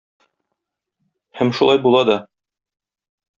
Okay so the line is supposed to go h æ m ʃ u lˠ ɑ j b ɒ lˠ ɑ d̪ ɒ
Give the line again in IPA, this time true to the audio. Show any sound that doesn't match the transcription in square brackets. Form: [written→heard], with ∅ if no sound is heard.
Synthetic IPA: h æ m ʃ u lˠ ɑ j b [ɒ→u] lˠ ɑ d̪ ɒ